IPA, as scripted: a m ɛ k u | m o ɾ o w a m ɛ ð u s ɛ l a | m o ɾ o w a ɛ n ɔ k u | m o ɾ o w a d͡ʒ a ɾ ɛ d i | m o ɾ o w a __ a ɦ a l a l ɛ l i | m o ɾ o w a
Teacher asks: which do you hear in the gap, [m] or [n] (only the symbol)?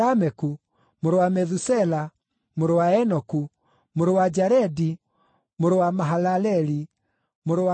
m